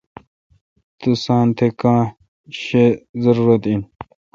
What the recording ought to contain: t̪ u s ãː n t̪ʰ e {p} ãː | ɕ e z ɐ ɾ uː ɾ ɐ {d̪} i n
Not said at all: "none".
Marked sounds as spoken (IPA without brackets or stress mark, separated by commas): k, t̪